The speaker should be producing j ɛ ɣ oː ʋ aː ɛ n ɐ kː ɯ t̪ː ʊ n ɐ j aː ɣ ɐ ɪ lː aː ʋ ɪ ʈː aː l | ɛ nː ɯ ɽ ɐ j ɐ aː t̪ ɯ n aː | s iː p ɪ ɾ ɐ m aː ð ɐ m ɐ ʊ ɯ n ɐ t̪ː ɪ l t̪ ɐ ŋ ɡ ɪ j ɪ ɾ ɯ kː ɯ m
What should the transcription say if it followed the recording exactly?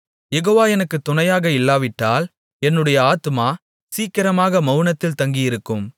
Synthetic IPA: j ɛ ɣ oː ʋ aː ɛ n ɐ kː ɯ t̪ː ʊ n ɐ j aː ɣ ɐ ɪ lː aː ʋ ɪ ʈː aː l | ɛ nː ɯ ɽ ɐ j ɐ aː t̪ ɯ m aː | s iː k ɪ ɾ ɐ m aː ɣ ɐ m ɐ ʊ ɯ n ɐ t̪ː ɪ l t̪ ɐ ŋ ɡ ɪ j ɪ ɾ ɯ kː ɯ m